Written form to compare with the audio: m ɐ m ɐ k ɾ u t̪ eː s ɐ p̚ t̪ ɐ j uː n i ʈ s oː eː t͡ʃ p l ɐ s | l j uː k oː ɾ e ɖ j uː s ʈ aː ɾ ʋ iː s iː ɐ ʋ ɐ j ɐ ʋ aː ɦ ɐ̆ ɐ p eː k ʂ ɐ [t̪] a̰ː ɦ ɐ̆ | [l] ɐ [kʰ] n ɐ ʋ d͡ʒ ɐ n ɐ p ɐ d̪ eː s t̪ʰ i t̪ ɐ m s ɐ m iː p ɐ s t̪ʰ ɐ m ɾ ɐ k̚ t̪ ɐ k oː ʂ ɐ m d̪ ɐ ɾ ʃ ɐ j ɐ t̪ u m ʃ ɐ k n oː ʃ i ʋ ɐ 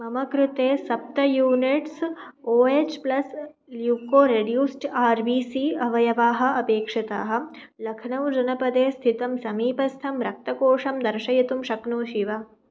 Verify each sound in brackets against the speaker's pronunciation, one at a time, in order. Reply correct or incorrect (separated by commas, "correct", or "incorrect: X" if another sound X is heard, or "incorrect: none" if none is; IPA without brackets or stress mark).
correct, correct, correct